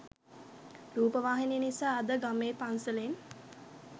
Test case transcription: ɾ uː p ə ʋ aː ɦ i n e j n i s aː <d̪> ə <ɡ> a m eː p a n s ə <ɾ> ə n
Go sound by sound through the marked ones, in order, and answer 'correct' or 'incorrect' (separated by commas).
correct, correct, incorrect